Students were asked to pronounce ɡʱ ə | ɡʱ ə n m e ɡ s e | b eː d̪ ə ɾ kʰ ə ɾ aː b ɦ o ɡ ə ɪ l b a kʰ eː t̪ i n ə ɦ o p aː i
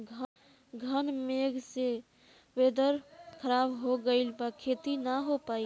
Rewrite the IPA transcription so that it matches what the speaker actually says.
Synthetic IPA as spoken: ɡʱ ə | ɡʱ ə n m e ɡ s e | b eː d̪ ə ɾ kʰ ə ɾ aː b ɦ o ɡ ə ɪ l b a kʰ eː t̪ i n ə ɦ o p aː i